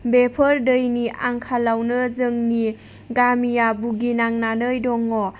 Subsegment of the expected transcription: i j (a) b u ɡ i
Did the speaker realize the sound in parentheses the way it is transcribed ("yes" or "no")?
yes